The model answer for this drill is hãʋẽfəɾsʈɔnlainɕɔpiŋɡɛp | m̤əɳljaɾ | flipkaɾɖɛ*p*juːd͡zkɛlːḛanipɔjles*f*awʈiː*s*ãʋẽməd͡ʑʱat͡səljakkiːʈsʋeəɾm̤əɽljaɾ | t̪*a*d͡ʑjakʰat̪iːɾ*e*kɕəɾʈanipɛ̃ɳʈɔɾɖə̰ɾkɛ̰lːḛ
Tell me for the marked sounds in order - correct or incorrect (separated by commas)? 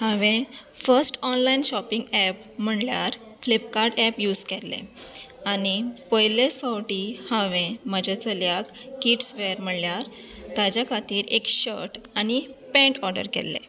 correct, correct, incorrect, correct, correct